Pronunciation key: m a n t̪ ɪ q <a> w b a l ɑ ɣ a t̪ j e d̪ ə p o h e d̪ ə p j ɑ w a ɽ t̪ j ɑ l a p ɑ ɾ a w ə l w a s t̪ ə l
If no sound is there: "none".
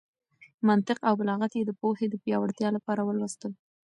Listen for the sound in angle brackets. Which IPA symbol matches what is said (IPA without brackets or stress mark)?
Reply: a